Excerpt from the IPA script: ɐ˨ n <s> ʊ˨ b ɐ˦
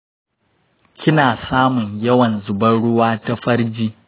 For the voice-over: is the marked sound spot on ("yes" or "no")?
no